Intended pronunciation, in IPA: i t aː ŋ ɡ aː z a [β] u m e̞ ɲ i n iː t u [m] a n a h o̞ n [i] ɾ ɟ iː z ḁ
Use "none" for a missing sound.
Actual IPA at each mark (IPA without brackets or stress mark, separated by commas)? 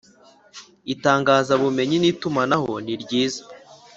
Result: β, m, i